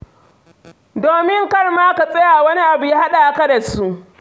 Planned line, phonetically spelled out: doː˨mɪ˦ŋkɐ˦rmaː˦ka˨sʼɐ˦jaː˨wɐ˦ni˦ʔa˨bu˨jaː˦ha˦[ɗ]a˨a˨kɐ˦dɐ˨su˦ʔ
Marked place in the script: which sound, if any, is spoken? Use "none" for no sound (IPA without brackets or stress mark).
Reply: ɗ